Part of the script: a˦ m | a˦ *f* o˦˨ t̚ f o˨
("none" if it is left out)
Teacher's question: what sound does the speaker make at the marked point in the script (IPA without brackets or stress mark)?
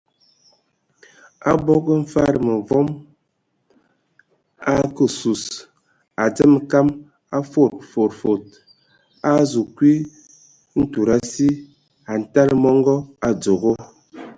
f